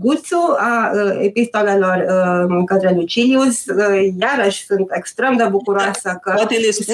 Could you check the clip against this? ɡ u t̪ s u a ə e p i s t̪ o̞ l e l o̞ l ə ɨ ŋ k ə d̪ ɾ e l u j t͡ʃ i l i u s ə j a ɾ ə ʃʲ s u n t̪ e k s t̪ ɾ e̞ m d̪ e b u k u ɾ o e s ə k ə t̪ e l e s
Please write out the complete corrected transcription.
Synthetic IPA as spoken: ɡ u t̪ s u a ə e p i s t̪ o̞ l e l o̞ r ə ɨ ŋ k ə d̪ ɾ e l u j t͡ʃ i l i u s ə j a ɾ ə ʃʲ s u n t̪ e k s t̪ ɾ e̞ m d̪ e b u k u ɾ o a s ə k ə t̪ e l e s